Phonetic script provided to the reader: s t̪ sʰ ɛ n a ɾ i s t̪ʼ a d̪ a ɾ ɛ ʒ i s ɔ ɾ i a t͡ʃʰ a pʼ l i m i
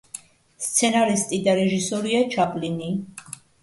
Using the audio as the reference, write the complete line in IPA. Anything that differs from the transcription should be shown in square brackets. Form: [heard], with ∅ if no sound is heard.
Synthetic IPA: s t̪ sʰ ɛ n a ɾ i s t̪ʼ [i] d̪ a ɾ ɛ ʒ i s ɔ ɾ i a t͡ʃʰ a pʼ l i [n] i